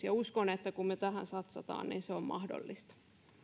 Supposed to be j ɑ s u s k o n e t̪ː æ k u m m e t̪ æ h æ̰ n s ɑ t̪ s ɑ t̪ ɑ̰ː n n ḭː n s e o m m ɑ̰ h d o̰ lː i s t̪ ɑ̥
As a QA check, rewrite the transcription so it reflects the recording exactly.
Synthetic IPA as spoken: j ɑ u s k o n e t̪ː æ k u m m e t̪ æ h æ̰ n s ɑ t̪ s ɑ t̪ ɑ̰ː n n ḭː n s e o m m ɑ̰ h d o̰ lː i s t̪ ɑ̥